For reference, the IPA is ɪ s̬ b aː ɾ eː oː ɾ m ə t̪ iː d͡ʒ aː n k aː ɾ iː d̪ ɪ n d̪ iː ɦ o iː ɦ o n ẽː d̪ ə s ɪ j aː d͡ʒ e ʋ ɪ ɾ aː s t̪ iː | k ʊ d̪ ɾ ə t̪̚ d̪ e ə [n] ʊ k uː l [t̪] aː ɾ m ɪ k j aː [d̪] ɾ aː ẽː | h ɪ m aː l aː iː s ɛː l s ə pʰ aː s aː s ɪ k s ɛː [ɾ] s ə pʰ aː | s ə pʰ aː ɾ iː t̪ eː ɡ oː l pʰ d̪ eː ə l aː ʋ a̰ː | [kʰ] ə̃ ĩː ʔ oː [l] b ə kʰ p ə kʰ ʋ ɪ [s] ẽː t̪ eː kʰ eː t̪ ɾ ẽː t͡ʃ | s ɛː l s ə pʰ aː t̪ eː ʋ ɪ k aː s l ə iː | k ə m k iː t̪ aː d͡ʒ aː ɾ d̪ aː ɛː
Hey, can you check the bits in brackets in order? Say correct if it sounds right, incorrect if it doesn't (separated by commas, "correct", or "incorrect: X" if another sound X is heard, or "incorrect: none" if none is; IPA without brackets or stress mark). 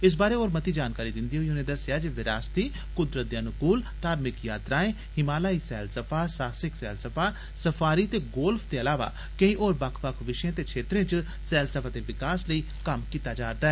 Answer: correct, correct, incorrect: t̪, incorrect: l, incorrect: k, incorrect: ɾ, incorrect: ʃ